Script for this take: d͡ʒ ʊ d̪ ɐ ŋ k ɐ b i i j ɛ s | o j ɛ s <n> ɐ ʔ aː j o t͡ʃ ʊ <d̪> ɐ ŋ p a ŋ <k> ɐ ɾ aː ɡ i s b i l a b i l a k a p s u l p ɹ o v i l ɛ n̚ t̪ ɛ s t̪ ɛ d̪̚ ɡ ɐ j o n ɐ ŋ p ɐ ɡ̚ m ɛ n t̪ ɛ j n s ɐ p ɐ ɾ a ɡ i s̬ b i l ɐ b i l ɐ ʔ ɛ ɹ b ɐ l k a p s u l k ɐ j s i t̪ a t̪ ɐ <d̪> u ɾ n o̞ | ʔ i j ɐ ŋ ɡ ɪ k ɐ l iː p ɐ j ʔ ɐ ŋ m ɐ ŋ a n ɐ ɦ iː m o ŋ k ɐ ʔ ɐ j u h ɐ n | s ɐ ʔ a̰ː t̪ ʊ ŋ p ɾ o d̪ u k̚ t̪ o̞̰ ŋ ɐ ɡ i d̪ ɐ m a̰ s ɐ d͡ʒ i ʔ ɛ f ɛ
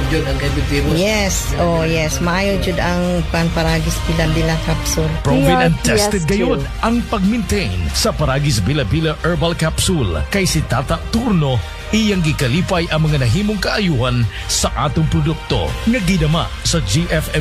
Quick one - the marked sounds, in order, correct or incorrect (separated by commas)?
incorrect, correct, incorrect, incorrect